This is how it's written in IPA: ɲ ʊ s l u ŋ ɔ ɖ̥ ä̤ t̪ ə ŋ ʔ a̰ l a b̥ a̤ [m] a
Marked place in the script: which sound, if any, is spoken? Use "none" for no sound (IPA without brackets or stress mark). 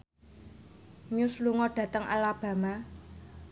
m